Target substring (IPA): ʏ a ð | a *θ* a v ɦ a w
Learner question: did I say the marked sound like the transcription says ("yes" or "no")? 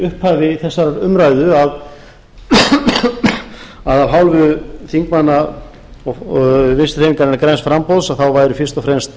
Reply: no